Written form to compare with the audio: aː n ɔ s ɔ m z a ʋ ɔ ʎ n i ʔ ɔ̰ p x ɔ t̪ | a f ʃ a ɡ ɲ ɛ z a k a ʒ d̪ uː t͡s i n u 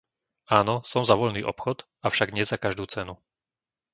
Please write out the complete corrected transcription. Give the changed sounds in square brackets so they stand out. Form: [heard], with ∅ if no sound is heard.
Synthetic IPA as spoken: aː n ɔ s ɔ m z a ʋ ɔ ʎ n [iː] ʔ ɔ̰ p x ɔ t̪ | a f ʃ a ɡ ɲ ɛ z a k a ʒ d̪ uː t͡s [ɛ] n u